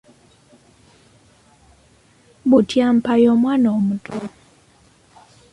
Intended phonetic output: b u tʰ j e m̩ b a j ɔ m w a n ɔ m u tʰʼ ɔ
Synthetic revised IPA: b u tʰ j a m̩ p a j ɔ m w a n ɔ m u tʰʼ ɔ